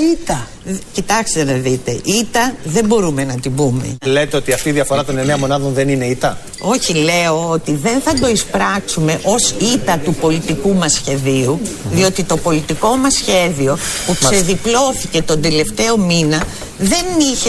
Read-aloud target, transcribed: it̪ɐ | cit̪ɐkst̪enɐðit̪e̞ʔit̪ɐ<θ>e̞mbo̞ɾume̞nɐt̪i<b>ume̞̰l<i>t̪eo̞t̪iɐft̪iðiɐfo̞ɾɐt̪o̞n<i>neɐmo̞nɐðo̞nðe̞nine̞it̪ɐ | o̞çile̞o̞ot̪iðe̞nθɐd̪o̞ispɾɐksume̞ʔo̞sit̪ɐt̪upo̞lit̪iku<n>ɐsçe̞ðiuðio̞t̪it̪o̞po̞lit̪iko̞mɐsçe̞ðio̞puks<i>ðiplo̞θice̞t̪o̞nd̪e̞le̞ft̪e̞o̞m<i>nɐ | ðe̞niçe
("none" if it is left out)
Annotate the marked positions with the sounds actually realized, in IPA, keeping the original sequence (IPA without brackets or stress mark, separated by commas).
ð, b, e, e, m, e, i